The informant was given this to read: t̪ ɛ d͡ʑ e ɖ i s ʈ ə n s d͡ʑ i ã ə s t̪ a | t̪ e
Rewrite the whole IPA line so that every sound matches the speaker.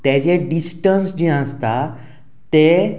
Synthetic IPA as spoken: t̪ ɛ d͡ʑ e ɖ i s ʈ ə n s d͡ʑ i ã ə s t̪ a | t̪ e